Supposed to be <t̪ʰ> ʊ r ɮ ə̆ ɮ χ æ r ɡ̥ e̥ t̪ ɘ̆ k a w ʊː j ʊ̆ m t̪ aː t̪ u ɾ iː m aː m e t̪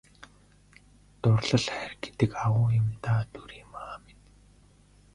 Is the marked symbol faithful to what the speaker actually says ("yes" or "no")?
no